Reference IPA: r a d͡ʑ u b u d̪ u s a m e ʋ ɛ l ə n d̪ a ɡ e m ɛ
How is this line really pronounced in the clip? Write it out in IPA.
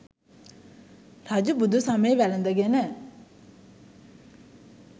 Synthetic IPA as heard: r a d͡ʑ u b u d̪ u s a m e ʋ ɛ l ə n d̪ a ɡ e n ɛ